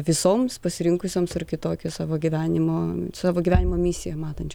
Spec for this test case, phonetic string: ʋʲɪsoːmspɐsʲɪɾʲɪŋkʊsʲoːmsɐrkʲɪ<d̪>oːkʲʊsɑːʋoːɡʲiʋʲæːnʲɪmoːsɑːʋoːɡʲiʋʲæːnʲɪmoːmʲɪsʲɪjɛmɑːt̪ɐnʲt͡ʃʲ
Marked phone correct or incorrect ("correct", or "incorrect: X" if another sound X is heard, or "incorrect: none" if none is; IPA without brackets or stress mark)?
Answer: incorrect: t̪